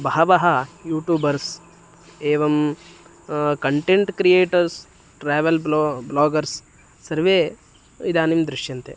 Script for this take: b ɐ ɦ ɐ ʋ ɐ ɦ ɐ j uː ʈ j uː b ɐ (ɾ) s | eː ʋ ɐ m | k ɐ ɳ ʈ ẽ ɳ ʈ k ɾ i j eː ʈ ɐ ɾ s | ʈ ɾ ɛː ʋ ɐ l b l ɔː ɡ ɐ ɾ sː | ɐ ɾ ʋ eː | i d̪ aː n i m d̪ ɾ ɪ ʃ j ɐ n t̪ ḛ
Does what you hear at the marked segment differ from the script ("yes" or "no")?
no